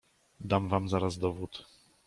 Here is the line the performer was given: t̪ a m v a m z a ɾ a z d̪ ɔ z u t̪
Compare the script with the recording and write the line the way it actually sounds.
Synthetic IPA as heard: d̪ a m v a m z a ɾ a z d̪ ɔ v u t̪